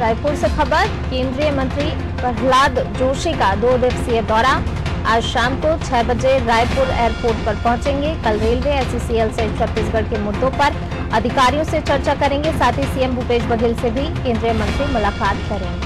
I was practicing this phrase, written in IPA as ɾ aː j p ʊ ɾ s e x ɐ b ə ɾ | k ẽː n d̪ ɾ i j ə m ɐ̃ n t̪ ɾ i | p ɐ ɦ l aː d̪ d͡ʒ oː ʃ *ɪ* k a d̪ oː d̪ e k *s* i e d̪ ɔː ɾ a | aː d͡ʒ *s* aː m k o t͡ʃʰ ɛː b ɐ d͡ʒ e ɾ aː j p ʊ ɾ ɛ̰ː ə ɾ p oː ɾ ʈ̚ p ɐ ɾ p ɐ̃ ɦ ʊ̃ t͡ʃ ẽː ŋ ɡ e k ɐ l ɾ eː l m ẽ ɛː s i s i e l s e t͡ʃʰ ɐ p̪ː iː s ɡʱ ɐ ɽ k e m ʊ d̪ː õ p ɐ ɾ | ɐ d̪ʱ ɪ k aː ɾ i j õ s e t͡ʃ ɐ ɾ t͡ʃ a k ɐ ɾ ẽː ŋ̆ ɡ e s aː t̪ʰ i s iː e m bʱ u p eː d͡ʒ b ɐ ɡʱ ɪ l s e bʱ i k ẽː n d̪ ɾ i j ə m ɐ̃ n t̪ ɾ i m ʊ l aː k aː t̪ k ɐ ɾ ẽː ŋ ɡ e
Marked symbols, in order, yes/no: no, yes, no

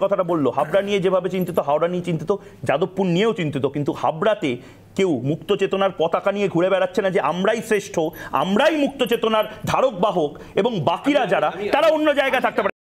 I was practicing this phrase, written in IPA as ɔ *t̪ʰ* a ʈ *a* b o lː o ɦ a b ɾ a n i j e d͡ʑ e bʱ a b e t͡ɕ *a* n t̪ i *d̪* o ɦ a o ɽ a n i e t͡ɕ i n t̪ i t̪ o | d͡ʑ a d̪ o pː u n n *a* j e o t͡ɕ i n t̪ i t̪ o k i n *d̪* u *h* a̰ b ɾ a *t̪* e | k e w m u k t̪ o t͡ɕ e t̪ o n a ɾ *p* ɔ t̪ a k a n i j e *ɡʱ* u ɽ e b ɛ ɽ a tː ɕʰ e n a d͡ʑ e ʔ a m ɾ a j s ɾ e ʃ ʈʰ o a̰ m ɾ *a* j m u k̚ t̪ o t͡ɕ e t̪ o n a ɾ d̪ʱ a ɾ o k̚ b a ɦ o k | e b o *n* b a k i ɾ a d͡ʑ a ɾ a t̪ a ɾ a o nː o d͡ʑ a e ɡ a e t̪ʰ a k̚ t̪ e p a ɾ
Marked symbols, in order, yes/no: yes, yes, no, no, no, no, yes, yes, yes, yes, yes, no

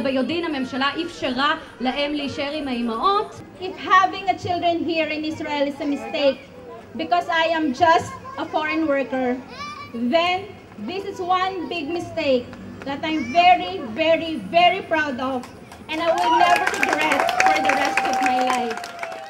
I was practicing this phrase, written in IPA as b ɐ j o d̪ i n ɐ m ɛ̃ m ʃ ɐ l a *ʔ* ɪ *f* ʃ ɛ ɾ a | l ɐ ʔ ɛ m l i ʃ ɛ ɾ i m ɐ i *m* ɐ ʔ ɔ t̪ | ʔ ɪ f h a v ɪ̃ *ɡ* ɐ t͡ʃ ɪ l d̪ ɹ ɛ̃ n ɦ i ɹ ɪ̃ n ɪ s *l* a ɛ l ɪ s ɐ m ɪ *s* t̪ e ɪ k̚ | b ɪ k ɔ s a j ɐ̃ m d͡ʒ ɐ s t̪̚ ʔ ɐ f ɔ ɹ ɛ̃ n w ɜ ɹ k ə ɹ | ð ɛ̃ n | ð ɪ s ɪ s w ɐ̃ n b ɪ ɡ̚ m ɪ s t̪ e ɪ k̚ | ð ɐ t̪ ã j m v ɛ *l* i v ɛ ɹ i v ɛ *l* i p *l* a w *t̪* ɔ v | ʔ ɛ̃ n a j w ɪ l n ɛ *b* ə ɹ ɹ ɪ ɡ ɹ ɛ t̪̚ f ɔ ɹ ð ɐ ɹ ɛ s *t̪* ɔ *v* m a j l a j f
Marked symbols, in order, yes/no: yes, yes, yes, no, no, yes, no, no, no, no, no, yes, yes

